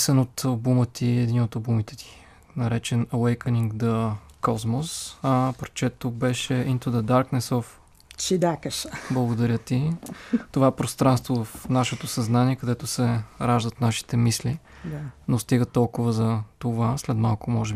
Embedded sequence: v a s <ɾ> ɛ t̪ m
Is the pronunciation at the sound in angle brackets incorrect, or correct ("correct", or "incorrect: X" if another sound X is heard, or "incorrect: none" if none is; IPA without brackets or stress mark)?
incorrect: l